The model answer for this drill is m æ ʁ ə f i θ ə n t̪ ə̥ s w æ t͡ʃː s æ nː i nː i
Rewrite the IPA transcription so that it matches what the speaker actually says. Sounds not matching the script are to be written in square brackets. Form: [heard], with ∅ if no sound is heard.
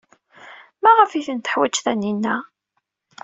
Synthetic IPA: m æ ʁ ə f i θ ə n t̪ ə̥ [ħ] w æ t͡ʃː [θ] æ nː i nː [æ]